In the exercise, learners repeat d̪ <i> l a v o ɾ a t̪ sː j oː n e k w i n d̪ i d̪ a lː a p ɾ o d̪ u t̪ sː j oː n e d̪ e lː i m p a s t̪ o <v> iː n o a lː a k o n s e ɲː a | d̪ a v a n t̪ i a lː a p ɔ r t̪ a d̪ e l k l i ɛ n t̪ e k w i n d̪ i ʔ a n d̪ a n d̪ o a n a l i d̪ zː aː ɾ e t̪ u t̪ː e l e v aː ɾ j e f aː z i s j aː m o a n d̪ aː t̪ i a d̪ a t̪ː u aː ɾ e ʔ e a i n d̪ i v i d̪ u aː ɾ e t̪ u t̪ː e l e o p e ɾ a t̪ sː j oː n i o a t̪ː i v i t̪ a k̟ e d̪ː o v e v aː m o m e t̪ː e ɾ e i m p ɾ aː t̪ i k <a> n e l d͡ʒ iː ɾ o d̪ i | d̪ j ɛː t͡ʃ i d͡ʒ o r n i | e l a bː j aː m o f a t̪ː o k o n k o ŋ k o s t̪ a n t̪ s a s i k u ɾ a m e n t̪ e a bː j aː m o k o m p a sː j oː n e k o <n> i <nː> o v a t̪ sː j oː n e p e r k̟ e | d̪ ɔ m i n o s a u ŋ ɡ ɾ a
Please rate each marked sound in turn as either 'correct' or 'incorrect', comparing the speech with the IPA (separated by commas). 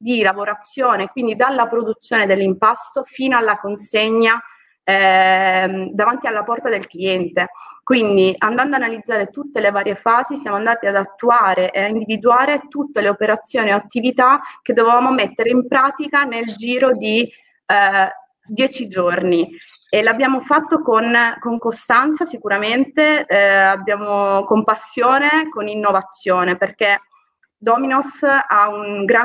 correct, incorrect, correct, correct, correct